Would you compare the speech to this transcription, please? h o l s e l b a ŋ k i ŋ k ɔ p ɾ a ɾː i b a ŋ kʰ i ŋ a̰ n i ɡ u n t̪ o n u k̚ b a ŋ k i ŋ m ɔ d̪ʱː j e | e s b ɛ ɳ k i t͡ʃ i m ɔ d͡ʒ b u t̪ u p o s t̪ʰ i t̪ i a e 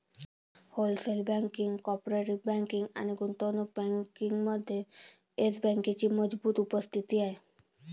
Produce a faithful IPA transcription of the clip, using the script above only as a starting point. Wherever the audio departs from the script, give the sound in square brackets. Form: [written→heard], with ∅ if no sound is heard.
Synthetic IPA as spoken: h o l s e l b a ŋ k i ŋ k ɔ p ɾ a [ɾː→ɾ] i b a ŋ [kʰ→k] i ŋ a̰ n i ɡ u n t̪ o n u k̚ b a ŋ k i ŋ m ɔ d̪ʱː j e | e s b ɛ [ɳ→ŋ] k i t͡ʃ i m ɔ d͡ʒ b u t̪ u p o s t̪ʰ i t̪ i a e